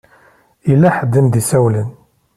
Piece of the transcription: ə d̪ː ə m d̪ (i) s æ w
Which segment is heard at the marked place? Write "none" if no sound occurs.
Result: i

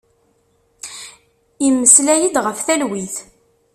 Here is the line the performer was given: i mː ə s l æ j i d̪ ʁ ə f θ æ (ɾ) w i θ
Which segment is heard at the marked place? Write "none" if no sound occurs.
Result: l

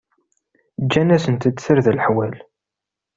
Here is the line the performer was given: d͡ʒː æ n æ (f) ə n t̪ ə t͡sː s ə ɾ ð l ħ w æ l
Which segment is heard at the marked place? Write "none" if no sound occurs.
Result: s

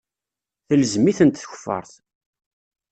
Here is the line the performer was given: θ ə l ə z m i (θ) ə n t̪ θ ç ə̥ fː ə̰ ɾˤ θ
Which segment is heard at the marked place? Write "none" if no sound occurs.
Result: θ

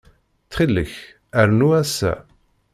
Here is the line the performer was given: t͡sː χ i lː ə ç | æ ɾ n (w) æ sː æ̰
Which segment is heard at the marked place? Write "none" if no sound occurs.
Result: u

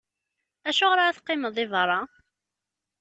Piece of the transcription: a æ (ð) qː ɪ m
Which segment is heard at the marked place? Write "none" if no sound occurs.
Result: θ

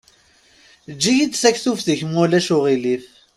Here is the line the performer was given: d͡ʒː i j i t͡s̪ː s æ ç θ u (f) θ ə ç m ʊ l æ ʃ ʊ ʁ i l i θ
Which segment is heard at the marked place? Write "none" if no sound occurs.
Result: f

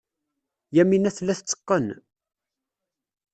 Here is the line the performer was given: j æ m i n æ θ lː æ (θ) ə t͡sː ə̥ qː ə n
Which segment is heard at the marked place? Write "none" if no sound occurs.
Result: θ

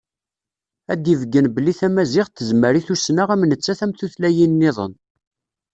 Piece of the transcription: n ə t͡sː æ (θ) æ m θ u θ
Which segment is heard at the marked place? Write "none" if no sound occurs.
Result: θ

